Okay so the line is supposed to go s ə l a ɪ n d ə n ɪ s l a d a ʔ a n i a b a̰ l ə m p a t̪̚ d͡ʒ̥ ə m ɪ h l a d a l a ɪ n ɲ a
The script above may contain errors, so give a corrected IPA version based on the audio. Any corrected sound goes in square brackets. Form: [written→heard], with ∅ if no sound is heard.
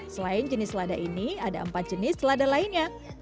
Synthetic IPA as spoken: s ə l a ɪ n [d→d͡ʒ] ə n ɪ s l a d a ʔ [a→i] n i a [b→d] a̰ [l→∅] ə m p a t̪̚ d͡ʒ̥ ə [m→n] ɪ [h→s] l a d a l a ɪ n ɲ a